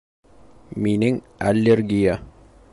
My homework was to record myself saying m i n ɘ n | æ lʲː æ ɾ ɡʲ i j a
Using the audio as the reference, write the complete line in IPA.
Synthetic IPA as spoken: m i n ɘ ŋ | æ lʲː e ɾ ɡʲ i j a